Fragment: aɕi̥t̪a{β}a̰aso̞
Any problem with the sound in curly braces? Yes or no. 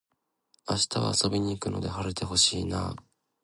no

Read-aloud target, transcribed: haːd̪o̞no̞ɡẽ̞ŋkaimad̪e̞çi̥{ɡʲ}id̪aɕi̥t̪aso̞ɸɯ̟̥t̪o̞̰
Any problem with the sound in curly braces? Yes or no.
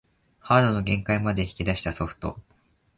yes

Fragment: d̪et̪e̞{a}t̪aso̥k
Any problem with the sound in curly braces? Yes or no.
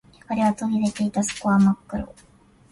yes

